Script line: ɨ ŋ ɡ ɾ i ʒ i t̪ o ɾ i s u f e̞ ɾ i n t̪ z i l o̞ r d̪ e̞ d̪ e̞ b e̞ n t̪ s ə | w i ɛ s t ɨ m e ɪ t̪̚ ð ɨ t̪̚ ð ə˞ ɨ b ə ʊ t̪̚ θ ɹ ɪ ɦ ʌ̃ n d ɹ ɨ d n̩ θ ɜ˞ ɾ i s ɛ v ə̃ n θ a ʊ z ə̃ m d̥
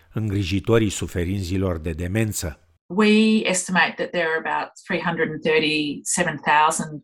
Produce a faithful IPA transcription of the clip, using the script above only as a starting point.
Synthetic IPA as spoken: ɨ ŋ ɡ ɾ i ʒ i t̪ o ɾ i s u f e̞ ɾ i n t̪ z i l o̞ r d̪ e̞ d̪ e̞ m e̞ n t̪ s ə | w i ɛ s t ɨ m e ɪ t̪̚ ð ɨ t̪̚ ð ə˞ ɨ b a ʊ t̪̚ θ ɹ i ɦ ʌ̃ n d ɹ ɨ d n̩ θ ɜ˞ ɾ i s ɛ v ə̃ n θ a ʊ z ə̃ n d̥